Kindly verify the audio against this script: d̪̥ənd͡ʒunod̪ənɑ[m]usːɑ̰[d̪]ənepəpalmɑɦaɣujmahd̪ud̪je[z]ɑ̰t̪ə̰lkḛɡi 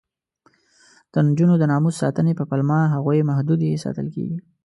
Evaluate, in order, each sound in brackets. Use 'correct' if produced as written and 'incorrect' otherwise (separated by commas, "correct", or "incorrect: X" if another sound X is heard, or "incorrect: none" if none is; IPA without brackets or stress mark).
correct, incorrect: t̪, incorrect: s